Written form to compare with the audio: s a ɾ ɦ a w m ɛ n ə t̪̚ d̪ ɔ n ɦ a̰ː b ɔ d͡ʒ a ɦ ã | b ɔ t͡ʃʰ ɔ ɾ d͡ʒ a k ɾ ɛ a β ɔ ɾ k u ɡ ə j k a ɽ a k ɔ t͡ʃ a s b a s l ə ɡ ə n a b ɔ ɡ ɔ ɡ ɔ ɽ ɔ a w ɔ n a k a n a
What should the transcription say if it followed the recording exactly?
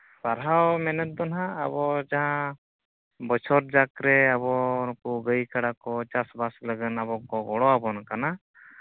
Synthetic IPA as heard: s a ɾ ɦ a w m ɛ n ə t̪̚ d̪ ɔ n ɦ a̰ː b ɔ d͡ʒ a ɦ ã | b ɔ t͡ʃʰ ɔ ɾ d͡ʒ a k ɾ ɛ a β ɔ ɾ k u ɡ ə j k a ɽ a k ɔ t͡ʃ a s b a s l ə ɡ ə n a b ɔ k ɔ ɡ ɔ ɽ ɔ a b ɔ n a k a n a

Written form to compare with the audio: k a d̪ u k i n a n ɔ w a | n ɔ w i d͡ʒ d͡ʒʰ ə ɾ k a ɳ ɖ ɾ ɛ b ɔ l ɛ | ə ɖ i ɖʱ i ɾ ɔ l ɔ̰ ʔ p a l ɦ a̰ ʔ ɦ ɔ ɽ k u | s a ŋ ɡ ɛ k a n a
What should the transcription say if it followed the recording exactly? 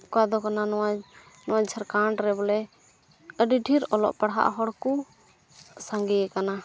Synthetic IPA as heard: k a d̪ ɔ k a n a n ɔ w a | n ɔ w a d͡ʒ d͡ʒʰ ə ɾ k a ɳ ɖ ɾ ɛ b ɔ l ɛ | ə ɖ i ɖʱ i ɾ ɔ l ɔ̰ ʔ p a ɽ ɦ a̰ ʔ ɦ ɔ ɽ k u | s a ŋ ɡ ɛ k a n a

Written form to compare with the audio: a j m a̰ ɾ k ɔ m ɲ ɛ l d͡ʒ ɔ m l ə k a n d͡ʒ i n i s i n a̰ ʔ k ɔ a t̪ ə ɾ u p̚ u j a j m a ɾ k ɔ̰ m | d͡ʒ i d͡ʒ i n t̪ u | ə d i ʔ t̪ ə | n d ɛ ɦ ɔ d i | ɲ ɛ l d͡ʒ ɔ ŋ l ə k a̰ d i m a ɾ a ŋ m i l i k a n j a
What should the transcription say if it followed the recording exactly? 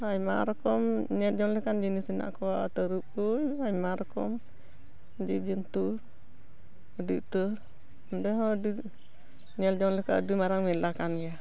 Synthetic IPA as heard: a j m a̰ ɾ k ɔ m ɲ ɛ l d͡ʒ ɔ ŋ l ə k a n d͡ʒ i n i s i n a̰ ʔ k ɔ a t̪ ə ɾ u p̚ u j a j m a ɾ k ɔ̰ m | d͡ʒ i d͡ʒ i n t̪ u | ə d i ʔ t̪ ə | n d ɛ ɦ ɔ d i | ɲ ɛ l d͡ʒ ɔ ŋ l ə k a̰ d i m a ɾ a ŋ m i l a k a n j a

